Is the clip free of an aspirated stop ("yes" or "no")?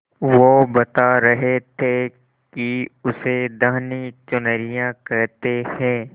no